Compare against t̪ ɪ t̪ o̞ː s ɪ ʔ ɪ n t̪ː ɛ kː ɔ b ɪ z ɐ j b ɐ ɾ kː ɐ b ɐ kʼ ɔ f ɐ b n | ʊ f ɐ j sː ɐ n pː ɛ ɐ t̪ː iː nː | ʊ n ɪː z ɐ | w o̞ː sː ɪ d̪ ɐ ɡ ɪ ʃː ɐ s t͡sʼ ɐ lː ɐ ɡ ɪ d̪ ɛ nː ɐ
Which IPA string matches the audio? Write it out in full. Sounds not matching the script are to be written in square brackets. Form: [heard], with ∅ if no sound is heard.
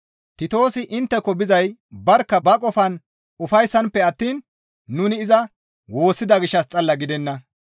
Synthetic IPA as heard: t̪ ɪ t̪ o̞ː s ɪ ʔ ɪ n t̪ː ɛ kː ɔ b ɪ z ɐ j b ɐ ɾ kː ɐ b ɐ kʼ ɔ f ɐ [∅] n | ʊ f ɐ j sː ɐ n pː ɛ ɐ t̪ː iː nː | ʊ n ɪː z ɐ | w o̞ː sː ɪ d̪ ɐ ɡ ɪ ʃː ɐ s t͡sʼ ɐ lː ɐ ɡ ɪ d̪ ɛ nː ɐ